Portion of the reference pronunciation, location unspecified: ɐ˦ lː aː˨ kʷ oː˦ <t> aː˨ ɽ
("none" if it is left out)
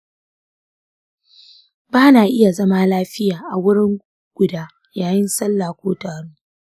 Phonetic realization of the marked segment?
t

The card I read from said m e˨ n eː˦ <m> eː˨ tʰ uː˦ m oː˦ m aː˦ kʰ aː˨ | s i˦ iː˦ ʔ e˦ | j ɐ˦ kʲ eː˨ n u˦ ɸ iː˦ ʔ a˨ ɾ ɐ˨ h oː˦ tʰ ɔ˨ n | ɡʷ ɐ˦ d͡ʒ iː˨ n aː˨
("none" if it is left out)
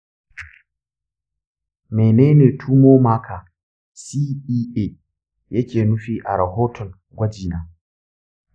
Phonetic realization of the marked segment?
n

